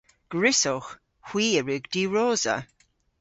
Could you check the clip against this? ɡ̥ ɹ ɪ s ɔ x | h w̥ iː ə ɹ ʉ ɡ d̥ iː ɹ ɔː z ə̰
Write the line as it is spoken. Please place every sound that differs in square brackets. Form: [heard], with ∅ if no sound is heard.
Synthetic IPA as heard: ɡ̥ ɹ ɪ s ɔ x | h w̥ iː ə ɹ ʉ ɡ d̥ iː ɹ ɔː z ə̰